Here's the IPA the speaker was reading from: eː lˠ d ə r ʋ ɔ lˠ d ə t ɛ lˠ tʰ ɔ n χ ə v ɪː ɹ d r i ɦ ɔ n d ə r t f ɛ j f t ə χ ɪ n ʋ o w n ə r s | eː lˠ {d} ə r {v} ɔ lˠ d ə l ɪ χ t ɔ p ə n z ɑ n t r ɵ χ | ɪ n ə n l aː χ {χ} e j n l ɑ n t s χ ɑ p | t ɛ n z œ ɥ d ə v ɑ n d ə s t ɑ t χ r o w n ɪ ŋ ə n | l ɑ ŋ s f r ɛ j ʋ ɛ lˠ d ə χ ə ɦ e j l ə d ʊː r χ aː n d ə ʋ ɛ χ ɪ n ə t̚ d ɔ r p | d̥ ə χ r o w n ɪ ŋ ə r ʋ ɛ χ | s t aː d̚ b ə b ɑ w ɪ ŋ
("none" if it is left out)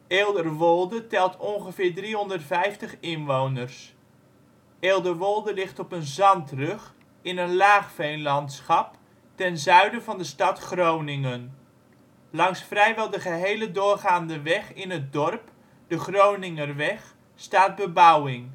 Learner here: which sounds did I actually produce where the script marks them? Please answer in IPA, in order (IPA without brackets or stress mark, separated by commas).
d, ʋ, f